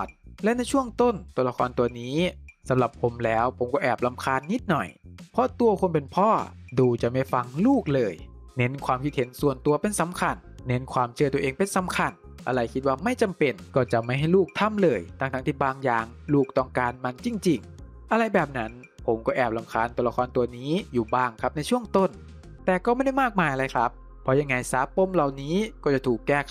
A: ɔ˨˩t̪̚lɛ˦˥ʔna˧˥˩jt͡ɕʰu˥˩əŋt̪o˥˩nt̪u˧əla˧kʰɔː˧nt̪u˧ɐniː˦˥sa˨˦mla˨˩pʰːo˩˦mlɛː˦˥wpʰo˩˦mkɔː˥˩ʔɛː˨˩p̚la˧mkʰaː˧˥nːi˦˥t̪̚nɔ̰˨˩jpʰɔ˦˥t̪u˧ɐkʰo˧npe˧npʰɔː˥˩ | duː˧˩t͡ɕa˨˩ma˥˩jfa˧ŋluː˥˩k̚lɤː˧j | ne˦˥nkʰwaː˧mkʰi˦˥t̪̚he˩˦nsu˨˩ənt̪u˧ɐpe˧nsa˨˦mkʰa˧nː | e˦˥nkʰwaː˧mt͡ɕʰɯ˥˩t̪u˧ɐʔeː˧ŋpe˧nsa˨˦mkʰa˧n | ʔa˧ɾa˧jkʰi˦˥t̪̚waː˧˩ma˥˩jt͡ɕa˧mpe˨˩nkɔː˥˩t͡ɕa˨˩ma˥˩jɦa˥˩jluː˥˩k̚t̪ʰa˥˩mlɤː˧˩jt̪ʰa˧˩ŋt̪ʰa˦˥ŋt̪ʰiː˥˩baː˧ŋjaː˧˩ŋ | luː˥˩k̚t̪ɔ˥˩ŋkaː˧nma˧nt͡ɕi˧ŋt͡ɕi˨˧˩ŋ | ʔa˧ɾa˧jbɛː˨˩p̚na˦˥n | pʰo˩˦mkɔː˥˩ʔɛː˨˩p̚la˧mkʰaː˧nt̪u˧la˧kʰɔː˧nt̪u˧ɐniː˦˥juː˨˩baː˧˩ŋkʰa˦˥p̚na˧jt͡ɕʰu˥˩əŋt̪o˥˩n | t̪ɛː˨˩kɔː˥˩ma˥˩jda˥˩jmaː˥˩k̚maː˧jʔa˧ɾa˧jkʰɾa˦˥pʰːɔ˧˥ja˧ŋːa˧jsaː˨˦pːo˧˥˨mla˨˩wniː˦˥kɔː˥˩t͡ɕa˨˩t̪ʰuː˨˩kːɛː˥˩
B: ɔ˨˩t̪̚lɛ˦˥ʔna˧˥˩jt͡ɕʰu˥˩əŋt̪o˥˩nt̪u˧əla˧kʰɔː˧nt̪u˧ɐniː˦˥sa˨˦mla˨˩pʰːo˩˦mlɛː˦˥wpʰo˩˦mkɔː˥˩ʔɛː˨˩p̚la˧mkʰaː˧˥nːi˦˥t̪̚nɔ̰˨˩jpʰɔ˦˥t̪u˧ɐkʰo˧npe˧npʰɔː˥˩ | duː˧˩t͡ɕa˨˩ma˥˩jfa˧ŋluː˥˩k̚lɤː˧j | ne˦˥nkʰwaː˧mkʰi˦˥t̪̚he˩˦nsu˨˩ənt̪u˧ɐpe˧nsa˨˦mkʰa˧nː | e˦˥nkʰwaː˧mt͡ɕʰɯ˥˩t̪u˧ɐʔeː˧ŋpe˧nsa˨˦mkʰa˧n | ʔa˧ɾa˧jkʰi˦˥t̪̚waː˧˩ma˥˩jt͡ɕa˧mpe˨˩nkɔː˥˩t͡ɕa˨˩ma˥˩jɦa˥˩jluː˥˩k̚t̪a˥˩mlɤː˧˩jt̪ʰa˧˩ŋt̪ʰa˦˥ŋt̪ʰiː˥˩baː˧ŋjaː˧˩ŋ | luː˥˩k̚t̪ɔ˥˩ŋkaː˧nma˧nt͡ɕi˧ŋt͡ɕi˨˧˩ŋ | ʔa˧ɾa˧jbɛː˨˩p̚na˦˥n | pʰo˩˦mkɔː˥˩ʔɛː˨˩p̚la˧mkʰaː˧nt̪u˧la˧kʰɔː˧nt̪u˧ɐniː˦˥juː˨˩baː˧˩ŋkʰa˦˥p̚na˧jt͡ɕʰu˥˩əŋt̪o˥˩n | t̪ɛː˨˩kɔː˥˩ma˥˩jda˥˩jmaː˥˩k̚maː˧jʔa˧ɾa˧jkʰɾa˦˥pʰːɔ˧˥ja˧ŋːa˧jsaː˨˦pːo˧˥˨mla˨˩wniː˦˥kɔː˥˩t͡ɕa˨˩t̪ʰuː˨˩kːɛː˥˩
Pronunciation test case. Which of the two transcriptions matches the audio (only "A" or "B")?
A